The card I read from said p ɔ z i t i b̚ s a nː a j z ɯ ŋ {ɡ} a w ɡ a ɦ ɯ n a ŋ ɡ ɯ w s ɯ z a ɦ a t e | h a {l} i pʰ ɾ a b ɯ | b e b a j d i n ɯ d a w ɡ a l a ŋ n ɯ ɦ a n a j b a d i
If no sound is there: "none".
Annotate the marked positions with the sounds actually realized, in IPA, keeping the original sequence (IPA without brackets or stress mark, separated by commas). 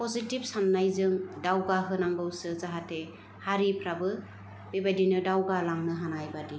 d, ɾ